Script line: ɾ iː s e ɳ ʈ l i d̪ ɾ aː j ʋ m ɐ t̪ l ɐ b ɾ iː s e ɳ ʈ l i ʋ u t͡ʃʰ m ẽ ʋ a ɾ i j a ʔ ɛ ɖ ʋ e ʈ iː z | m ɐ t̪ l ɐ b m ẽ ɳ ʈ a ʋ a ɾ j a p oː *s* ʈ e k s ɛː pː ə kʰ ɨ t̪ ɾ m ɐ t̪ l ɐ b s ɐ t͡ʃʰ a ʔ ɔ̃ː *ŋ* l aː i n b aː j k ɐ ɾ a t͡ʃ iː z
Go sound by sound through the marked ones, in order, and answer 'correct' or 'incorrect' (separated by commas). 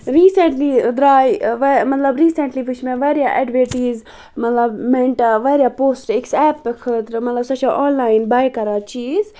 correct, incorrect